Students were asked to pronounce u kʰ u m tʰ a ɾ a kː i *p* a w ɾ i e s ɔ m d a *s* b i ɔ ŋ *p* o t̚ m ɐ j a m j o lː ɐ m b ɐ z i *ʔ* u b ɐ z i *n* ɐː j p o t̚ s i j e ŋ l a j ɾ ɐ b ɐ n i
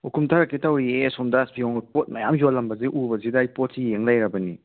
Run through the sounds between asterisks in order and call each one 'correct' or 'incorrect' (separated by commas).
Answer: incorrect, correct, correct, correct, incorrect